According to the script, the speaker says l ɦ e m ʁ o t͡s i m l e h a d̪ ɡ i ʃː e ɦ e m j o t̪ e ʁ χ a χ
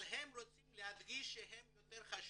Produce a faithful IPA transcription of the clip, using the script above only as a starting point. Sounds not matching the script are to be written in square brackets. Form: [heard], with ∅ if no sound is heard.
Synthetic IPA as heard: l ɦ e m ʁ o t͡s i m l e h a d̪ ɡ i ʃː e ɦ e m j o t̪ e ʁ χ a [ʃ]

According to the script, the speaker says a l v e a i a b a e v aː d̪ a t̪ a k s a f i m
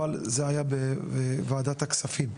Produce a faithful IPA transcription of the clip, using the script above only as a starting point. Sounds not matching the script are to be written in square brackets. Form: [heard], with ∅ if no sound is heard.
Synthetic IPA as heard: a l [z] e a [j] a b [e] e v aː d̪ a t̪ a k s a f i m

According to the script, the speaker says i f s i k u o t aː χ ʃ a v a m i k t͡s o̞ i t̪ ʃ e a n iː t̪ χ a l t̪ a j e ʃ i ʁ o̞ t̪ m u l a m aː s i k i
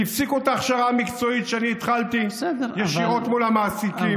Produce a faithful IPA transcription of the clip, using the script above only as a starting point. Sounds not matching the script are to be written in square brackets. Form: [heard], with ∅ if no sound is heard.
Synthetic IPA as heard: i f s i k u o t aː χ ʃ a [ʁ] a m i k t͡s o̞ i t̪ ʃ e a n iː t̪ χ a l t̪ [i] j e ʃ i ʁ o̞ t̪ m u l a m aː s i k i

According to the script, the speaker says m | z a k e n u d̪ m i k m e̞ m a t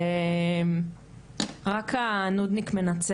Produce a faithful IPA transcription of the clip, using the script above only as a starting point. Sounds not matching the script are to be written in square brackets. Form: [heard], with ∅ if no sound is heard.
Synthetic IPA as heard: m | [ʁ] a k [a] n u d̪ [n] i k m e̞ [n] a [t͡s]

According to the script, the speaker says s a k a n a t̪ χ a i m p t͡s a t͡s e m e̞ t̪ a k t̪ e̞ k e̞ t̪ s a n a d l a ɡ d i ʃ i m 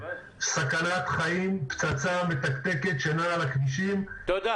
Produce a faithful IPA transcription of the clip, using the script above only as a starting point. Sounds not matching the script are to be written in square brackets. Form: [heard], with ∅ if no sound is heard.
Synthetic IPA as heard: s a k a n a t̪ χ a i m p t͡s a t͡s [a] m e̞ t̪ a k t̪ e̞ k e̞ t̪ [ʃ] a n a [∅] l a [k] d i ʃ i m

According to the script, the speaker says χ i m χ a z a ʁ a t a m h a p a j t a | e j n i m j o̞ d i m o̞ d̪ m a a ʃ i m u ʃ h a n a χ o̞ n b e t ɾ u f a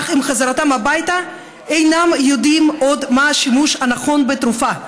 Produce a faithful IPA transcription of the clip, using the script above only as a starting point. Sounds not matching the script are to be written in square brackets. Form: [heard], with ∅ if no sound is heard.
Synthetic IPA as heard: χ i m χ a z a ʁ a t a m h a [b] a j t a | e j n [a] m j o̞ d i m o̞ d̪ m a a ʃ i m u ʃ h a n a χ o̞ n b e t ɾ u f a

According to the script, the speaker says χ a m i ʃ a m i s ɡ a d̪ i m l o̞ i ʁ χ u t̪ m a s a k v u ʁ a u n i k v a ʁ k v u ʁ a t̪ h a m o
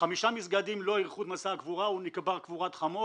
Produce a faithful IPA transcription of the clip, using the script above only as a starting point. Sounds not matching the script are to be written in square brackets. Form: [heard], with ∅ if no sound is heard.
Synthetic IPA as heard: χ a m i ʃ a m i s ɡ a d̪ i m l o̞ i ʁ χ u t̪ m a s a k v u ʁ a u n i k [b] a ʁ k v u ʁ a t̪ [χ] a m o

